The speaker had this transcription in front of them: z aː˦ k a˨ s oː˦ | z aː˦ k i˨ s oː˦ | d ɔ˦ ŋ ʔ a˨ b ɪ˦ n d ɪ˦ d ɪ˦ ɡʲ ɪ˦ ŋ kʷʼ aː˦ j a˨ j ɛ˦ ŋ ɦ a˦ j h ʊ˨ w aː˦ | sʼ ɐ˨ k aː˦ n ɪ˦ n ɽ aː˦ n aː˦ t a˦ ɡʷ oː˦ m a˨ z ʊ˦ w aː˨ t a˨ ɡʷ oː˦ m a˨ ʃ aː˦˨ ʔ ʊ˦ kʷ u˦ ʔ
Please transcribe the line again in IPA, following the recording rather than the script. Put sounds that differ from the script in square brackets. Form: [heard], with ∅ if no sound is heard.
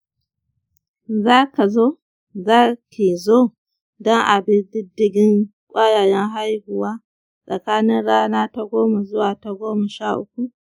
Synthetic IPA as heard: z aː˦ k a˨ [z] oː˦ | z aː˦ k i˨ [z] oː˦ | d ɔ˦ ŋ ʔ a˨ b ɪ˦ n d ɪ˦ d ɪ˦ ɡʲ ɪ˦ ŋ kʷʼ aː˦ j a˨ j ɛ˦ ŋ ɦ a˦ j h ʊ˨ w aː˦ | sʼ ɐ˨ k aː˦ n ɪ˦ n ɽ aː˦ n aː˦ t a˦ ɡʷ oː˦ m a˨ z ʊ˦ w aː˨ t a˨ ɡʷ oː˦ m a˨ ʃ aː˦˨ ʔ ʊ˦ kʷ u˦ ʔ

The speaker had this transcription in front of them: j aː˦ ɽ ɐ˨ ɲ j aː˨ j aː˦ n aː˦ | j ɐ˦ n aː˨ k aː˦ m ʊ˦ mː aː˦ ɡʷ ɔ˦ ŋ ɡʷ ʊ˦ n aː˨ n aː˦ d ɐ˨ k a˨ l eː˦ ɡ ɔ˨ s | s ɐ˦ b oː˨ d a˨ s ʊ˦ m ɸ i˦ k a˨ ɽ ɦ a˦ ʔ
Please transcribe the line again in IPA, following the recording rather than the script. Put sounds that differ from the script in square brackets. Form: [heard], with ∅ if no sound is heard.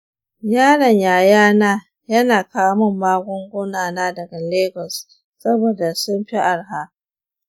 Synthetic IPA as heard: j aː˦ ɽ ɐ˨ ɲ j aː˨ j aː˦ n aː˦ | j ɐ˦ n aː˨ k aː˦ m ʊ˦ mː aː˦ ɡʷ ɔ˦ ŋ ɡʷ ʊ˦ n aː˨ n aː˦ d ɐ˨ [ɡ] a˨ l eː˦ ɡ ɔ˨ s | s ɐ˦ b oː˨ d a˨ s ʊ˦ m ɸ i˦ [ʔ] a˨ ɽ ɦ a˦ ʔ

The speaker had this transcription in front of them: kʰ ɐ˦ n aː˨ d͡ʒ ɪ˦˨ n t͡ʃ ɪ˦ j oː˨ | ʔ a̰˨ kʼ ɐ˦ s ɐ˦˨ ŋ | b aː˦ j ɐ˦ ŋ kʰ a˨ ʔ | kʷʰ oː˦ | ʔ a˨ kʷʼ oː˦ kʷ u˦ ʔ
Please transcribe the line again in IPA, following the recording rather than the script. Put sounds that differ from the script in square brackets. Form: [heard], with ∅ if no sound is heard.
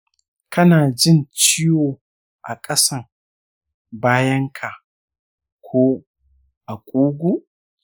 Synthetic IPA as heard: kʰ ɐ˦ n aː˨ d͡ʒ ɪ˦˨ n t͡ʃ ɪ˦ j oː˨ | ʔ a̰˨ kʼ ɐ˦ s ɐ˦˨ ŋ | b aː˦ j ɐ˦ ŋ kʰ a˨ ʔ | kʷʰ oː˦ | ʔ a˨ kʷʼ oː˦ [ɡʷ] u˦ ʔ

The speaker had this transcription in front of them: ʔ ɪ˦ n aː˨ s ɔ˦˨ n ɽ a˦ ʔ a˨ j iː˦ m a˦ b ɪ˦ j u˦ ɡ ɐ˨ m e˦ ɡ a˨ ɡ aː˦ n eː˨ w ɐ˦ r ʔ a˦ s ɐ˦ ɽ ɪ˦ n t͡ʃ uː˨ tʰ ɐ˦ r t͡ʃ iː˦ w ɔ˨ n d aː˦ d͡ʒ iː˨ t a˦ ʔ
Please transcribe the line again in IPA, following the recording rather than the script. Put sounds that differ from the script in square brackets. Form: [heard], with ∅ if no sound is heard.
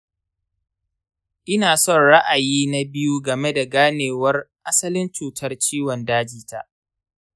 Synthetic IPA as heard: ʔ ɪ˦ n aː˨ s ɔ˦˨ n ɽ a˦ ʔ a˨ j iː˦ [n] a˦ b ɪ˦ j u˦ ɡ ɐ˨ m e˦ [d] a˨ ɡ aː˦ n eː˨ w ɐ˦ r ʔ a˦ s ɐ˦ [l] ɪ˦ n t͡ʃ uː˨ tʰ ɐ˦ r t͡ʃ iː˦ w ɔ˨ n d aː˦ d͡ʒ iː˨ t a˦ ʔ

